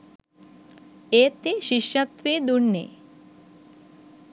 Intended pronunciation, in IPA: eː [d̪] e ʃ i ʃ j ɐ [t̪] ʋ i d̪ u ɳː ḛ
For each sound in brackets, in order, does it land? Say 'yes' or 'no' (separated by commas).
no, yes